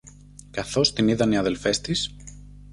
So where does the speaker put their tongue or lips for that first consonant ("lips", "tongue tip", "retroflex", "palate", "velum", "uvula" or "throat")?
velum